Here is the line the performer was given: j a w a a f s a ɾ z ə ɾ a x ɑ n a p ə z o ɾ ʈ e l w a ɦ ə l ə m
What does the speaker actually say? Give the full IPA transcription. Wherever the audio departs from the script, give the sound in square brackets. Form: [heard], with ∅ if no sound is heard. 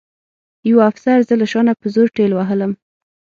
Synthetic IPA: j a w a a f s a ɾ z ə [l] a [ʃ] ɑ n a p ə z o ɾ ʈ e l w a ɦ ə l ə m